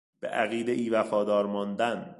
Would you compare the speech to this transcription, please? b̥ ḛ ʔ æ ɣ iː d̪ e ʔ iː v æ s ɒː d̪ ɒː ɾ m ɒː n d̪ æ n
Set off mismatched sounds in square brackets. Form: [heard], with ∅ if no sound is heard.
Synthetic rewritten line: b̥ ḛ ʔ æ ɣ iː d̪ e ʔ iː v æ [f] ɒː d̪ ɒː ɾ m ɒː n d̪ æ n